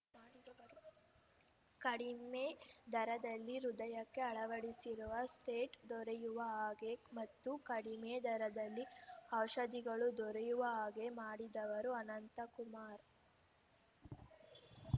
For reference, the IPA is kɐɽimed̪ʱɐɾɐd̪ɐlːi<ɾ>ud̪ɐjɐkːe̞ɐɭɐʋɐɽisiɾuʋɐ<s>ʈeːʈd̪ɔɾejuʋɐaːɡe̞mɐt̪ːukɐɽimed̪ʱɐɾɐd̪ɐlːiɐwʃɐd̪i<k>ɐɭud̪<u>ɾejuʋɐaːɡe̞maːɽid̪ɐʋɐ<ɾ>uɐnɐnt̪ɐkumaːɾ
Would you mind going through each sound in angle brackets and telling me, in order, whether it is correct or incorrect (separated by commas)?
correct, correct, incorrect, incorrect, correct